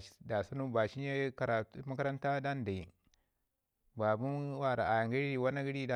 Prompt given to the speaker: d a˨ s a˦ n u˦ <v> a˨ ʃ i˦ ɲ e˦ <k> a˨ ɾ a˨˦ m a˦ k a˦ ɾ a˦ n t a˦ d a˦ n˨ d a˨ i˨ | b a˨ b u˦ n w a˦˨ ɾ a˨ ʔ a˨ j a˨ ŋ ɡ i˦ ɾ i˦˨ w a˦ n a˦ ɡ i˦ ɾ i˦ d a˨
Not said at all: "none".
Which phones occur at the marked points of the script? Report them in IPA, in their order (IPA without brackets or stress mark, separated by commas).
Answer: b, k